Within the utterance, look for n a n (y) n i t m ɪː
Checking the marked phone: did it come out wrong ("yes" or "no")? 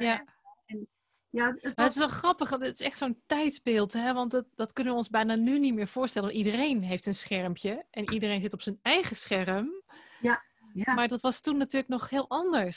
no